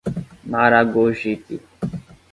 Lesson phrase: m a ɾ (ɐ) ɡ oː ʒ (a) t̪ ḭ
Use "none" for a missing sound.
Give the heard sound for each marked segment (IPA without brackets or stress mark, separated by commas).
a, i